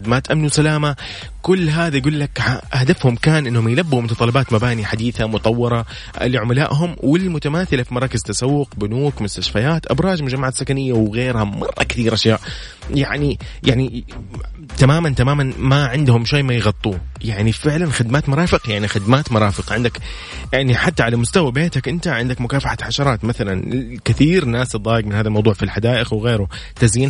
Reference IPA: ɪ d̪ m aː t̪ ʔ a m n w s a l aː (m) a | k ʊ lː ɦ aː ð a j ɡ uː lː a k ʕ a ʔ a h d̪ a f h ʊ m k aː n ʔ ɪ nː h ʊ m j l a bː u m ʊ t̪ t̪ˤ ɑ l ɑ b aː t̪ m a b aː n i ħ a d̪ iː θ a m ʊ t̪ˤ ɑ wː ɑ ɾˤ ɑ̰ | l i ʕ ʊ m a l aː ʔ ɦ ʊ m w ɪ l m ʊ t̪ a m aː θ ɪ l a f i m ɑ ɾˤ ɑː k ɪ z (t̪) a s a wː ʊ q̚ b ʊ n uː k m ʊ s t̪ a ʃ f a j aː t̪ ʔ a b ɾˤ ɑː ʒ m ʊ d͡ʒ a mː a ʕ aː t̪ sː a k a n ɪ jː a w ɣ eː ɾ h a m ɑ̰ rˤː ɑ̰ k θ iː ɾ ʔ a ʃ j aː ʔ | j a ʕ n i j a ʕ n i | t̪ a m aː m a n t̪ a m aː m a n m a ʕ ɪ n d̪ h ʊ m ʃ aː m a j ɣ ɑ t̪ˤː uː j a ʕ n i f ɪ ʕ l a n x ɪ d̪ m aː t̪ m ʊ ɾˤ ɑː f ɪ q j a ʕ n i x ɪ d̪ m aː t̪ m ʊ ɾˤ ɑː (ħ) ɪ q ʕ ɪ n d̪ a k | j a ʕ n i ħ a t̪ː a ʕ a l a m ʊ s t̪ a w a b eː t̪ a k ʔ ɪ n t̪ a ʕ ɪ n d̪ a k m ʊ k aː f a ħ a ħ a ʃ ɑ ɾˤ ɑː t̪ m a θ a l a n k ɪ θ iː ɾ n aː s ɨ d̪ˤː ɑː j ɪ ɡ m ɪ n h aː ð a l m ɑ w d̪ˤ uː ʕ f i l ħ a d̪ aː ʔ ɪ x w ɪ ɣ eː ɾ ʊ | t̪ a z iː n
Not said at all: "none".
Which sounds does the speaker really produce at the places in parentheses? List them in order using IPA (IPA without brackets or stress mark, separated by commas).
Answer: m, t̪, f